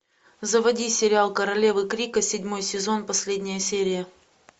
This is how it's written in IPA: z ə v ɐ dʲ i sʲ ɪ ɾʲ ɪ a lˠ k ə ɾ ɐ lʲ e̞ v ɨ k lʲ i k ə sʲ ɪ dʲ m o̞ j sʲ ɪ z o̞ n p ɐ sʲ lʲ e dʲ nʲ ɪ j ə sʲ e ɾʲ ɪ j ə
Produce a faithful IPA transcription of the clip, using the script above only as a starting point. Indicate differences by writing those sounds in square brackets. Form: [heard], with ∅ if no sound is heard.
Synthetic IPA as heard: z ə v ɐ dʲ i sʲ ɪ ɾʲ ɪ a lˠ k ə ɾ ɐ lʲ e̞ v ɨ k [ɾʲ] i k ə sʲ ɪ dʲ m o̞ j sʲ ɪ z o̞ n p ɐ sʲ lʲ e dʲ nʲ ɪ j ə sʲ e ɾʲ ɪ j ə

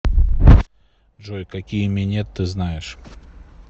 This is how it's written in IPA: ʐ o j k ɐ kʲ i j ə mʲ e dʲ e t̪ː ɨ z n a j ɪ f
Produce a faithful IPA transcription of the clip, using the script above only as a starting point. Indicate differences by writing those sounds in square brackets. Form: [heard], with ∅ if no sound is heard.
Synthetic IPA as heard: ʐ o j k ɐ kʲ i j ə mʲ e [nʲ] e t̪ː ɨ z n a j ɪ [ʂ]

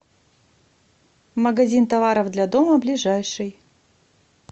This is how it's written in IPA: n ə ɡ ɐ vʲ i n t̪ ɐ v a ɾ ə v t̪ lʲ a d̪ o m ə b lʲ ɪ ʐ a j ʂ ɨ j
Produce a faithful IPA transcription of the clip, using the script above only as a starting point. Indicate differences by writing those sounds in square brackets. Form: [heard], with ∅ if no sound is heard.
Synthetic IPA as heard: [m] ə ɡ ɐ [zʲ] i n t̪ ɐ v a ɾ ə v [d̪] lʲ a d̪ o m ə b lʲ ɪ ʐ a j ʂ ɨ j

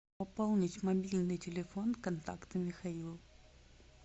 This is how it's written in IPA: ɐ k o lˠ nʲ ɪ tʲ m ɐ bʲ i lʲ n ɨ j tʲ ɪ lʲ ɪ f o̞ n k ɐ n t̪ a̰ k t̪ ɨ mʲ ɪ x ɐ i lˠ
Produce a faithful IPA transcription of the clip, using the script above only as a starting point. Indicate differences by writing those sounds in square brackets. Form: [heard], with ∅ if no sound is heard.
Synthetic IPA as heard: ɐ [p] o lˠ nʲ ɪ tʲ m ɐ bʲ i lʲ n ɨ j tʲ ɪ lʲ ɪ f o̞ n k ɐ n t̪ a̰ k t̪ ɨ mʲ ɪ x ɐ i lˠ

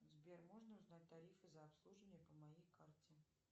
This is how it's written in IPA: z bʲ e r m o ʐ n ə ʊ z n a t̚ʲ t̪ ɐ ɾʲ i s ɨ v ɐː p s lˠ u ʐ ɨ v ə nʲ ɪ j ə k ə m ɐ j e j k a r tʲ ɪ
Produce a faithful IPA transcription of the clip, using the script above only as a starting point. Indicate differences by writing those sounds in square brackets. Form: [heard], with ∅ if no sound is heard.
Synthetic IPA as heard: z bʲ e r m o ʐ n ə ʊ z n a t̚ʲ t̪ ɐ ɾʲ i [f] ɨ [z] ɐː p s lˠ u ʐ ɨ v ə nʲ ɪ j ə [p] ə m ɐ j e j k a r tʲ ɪ

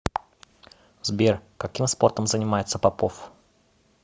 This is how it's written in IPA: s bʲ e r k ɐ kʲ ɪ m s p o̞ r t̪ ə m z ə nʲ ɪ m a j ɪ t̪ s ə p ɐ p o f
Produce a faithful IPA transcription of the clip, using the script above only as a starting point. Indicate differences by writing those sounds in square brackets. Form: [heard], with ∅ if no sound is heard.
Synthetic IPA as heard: [z] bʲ e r k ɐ kʲ [i] m s p o̞ r t̪ ə m z ə nʲ ɪ m a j ɪ t̪ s ə p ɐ p o f

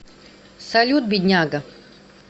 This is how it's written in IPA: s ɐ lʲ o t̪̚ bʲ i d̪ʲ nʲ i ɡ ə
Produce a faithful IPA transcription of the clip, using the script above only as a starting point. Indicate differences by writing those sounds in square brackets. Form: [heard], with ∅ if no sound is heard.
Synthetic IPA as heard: s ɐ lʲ [u] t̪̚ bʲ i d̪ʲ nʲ [a] ɡ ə

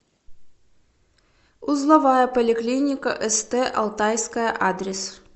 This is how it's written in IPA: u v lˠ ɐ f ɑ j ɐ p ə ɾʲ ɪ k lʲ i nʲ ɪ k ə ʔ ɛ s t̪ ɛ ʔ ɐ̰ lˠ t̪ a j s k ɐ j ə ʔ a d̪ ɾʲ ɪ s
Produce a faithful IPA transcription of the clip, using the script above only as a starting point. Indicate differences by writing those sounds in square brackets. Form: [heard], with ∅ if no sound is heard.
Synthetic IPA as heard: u [z] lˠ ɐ [v] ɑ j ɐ p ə [lʲ] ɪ k lʲ i nʲ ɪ k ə ʔ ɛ s t̪ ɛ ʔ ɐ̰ lˠ t̪ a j s k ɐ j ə ʔ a d̪ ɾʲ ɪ s

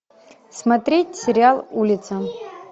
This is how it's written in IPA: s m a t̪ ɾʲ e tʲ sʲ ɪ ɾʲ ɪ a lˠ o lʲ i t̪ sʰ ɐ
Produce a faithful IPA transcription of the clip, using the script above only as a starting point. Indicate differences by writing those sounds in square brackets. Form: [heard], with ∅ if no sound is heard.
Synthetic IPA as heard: s m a t̪ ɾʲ e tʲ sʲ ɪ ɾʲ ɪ a lˠ [u] lʲ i t̪ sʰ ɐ

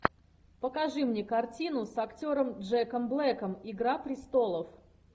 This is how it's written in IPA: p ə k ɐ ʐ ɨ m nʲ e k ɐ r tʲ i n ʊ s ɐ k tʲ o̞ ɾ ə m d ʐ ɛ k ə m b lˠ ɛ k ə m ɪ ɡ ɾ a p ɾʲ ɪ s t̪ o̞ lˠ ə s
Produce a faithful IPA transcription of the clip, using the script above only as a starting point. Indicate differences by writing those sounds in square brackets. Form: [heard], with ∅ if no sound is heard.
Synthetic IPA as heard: p ə k ɐ ʐ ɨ m nʲ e k ɐ r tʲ i n ʊ s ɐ k tʲ o̞ ɾ ə m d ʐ ɛ k ə m b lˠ ɛ k ə m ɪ ɡ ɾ a p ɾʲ ɪ s t̪ o̞ lˠ ə [f]

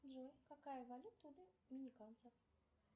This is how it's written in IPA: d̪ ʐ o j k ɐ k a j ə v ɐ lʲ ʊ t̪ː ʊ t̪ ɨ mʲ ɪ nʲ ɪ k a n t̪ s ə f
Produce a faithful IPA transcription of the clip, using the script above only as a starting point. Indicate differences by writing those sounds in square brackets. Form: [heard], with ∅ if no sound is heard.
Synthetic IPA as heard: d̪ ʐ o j k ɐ k a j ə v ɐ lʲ [u] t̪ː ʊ [d̪] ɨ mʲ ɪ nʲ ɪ k a n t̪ s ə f

